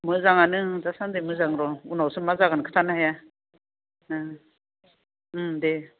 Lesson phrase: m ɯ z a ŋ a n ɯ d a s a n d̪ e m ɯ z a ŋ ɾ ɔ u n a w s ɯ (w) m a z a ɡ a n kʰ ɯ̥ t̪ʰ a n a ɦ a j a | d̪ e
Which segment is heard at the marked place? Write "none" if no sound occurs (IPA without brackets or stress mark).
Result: none